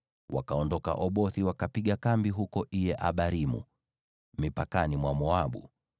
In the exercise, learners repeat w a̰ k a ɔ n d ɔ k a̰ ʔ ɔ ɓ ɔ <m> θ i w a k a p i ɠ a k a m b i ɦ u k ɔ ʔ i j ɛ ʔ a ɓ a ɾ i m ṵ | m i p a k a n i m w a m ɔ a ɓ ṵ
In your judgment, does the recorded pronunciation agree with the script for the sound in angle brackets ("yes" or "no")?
no